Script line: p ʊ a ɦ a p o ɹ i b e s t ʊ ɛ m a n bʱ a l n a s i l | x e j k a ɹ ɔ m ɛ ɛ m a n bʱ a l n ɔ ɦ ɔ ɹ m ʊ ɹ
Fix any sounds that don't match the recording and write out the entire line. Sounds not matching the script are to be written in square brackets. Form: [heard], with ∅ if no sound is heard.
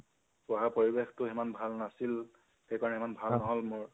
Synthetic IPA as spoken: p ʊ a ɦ a p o ɹ i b e [x] t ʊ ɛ m a n bʱ a l n a s i l | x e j k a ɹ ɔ [n] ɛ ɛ m a n bʱ a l n ɔ ɦ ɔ [l] m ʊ ɹ